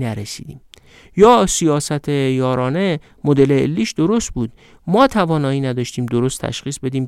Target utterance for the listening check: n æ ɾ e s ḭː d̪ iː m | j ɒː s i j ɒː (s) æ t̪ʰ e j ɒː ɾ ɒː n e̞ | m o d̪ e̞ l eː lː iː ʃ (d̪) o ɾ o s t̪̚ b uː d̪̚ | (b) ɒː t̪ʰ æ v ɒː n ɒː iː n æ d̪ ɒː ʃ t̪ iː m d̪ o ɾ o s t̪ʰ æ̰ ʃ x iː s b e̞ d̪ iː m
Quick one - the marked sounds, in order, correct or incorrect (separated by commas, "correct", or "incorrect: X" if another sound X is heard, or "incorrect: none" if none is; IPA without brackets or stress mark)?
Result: correct, correct, incorrect: m